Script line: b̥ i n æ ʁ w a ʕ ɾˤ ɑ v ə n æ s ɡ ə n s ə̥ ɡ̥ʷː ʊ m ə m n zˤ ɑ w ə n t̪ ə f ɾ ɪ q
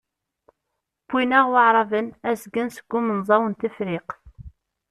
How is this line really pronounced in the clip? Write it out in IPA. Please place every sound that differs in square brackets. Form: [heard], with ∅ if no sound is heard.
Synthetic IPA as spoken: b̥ i n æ ʁ w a ʕ ɾˤ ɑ v ə n æ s ɡ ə n s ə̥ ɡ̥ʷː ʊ m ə [∅] n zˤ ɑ w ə n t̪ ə f ɾ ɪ q

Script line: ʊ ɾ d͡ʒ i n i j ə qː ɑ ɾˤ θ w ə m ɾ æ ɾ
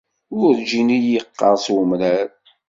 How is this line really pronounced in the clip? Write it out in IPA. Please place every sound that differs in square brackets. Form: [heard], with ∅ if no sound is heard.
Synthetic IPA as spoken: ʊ ɾ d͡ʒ i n i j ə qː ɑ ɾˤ [s] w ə m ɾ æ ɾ

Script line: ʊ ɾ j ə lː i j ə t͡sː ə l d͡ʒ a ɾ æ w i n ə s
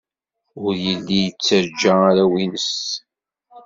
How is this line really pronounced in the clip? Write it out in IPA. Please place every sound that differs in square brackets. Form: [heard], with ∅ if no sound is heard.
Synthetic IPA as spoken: ʊ ɾ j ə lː i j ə t͡sː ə [ɾ] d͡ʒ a ɾ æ w i n ə s

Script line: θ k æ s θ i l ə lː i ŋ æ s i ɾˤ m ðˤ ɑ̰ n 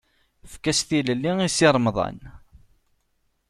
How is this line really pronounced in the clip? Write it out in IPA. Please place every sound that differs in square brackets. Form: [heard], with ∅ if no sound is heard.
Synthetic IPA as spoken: [f] k æ s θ i l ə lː i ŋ [i] s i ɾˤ m ðˤ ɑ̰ n

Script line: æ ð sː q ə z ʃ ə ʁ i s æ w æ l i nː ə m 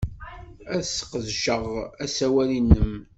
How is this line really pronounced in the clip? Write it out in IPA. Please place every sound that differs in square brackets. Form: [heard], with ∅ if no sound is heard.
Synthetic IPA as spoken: æ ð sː q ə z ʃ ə ʁ [æ] s æ w æ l i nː ə m

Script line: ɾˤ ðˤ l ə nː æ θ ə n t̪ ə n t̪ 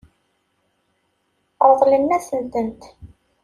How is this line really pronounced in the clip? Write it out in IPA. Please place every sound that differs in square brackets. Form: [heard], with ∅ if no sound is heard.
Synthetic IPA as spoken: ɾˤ ðˤ l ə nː æ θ ə n t̪ ə n t̪

